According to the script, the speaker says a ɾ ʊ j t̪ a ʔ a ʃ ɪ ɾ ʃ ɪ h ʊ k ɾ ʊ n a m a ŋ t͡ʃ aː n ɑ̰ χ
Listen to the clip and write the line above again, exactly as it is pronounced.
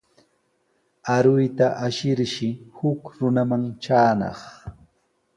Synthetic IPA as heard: a ɾ ʊ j t̪ a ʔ a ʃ ɪ ɾ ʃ ɪ h ʊ k ɾ ʊ n a m a ŋ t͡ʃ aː n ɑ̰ χ